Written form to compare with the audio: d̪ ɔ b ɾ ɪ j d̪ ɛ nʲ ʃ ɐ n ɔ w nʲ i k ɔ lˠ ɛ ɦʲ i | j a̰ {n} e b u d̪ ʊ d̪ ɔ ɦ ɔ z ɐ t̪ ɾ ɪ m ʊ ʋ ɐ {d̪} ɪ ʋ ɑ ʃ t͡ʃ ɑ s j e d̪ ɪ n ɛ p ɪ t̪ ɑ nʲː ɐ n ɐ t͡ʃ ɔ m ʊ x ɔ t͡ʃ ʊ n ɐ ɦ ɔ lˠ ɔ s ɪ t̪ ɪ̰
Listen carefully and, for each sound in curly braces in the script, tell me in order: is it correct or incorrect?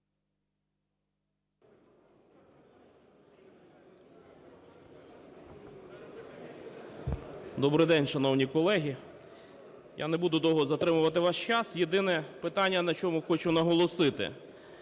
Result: correct, incorrect: t̪

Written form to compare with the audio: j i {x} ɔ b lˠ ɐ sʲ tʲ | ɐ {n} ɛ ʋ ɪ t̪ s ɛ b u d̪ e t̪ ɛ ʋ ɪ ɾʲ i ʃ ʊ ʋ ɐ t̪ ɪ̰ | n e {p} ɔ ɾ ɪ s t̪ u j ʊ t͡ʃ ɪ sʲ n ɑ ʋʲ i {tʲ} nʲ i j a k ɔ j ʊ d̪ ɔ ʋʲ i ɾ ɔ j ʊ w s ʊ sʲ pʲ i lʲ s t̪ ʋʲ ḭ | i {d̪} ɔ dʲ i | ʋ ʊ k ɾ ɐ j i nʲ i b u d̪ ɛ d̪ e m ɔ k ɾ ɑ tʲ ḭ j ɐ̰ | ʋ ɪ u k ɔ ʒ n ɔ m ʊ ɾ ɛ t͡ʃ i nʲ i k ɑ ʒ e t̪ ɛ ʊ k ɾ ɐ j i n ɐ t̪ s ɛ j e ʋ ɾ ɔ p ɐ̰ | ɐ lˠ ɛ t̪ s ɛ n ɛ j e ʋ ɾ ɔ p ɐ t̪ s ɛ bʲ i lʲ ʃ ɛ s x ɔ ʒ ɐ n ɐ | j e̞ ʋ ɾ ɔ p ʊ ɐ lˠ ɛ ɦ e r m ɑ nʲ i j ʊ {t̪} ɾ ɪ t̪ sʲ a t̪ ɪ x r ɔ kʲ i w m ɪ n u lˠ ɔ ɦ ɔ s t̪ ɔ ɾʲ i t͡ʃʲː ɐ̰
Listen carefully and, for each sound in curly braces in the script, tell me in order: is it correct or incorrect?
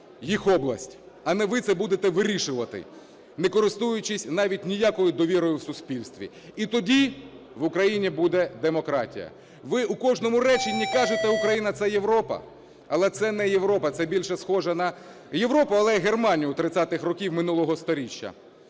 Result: correct, correct, incorrect: k, correct, incorrect: t̪, correct

